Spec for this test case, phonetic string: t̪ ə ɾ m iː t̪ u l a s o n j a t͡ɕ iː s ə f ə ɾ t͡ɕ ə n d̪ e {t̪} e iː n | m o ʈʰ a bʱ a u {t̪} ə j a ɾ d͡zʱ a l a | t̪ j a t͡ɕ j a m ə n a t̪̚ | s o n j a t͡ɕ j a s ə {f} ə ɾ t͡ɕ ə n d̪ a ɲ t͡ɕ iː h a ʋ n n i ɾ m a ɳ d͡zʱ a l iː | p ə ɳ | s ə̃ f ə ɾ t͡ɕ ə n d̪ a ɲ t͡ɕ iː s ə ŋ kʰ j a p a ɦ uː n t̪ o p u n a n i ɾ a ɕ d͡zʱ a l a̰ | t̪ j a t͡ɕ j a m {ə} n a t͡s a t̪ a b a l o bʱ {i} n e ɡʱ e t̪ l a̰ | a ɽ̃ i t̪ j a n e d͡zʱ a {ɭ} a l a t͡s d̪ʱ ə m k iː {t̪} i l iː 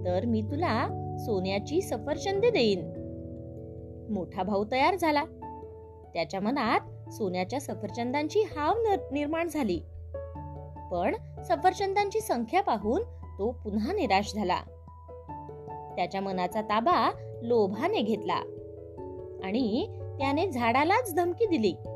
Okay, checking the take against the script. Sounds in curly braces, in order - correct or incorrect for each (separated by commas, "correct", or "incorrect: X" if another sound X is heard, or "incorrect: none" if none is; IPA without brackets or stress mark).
incorrect: d̪, correct, correct, correct, incorrect: a, incorrect: ɽ, incorrect: d̪